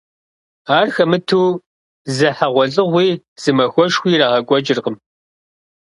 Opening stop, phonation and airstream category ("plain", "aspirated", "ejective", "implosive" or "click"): aspirated